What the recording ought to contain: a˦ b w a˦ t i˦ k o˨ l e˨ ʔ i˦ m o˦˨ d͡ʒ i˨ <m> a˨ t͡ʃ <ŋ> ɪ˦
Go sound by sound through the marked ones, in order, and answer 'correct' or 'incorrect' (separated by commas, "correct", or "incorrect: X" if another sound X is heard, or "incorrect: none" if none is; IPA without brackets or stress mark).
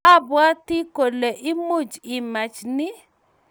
correct, incorrect: n